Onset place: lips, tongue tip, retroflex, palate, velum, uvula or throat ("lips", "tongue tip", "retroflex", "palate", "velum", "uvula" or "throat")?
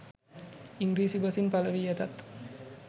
velum